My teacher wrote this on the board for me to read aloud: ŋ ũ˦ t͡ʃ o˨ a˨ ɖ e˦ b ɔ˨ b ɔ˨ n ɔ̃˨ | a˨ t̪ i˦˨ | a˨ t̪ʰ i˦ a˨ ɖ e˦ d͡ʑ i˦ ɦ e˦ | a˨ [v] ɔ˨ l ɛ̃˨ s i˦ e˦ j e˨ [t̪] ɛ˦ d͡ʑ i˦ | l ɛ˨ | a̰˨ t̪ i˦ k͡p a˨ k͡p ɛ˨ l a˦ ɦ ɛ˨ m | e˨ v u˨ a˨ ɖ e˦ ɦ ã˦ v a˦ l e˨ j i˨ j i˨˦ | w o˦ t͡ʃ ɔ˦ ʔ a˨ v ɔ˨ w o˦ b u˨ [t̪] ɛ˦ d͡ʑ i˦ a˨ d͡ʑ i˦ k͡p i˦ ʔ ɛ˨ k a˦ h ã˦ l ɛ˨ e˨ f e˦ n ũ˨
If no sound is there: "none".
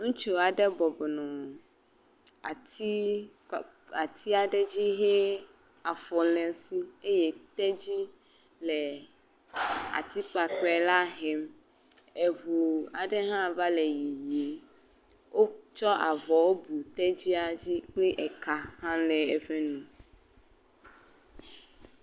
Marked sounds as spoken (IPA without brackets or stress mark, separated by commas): f, t̪, t̪